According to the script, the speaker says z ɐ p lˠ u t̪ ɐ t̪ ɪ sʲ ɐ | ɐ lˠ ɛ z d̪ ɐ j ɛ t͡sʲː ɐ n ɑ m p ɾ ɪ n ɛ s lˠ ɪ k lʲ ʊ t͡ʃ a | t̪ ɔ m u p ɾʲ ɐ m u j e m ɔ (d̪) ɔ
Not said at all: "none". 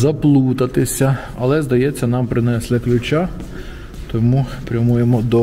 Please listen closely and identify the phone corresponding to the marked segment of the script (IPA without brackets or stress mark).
d̪